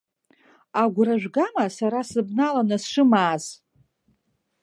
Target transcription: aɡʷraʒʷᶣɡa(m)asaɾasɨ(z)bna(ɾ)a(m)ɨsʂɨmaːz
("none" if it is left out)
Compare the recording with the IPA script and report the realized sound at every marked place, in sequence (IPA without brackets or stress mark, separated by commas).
m, none, l, n